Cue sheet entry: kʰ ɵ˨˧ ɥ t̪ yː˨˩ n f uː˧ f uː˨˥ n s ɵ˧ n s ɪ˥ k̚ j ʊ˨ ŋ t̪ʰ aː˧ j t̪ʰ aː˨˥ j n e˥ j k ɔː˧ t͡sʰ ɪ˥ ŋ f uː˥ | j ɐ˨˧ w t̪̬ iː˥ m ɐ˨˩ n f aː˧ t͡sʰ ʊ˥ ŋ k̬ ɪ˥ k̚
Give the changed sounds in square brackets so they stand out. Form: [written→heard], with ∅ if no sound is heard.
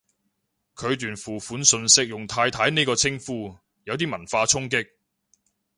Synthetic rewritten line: kʰ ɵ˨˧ ɥ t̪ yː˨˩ n f [uː˧→uː˨˩] f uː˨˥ n s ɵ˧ n s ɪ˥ k̚ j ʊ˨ ŋ t̪ʰ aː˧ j t̪ʰ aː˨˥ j n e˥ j k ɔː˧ t͡sʰ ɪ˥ ŋ f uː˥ | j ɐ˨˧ w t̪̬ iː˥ m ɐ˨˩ n f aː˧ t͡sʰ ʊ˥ ŋ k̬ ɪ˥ k̚